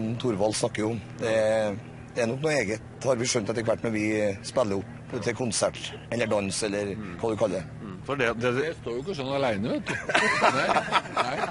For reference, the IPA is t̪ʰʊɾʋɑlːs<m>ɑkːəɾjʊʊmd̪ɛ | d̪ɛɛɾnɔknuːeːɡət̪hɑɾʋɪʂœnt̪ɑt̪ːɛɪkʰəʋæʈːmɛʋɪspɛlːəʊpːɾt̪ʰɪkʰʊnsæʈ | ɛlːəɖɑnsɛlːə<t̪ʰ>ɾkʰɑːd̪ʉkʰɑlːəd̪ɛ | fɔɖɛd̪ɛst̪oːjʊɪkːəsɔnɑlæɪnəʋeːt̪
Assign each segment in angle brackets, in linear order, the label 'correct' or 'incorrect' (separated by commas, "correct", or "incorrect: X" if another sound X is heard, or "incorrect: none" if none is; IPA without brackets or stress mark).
incorrect: n, incorrect: none